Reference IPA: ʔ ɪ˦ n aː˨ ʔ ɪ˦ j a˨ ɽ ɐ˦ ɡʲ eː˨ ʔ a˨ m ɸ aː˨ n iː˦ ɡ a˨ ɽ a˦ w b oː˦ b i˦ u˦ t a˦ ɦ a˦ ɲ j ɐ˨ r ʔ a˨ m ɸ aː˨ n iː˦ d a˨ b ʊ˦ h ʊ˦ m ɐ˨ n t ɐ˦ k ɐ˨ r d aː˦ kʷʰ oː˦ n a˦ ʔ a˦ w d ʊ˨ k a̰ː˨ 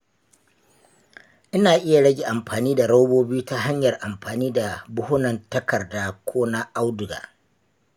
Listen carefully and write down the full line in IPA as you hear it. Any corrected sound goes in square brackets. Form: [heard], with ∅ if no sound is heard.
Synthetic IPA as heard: ʔ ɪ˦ n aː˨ ʔ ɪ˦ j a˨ ɽ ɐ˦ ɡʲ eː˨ ʔ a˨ m ɸ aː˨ n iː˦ [d] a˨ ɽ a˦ w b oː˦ b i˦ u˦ t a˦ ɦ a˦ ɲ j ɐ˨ r ʔ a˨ m ɸ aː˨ n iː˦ d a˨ b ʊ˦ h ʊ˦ [n] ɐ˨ n t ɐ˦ k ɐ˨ r d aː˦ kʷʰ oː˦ n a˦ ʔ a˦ w d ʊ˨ [ɡ] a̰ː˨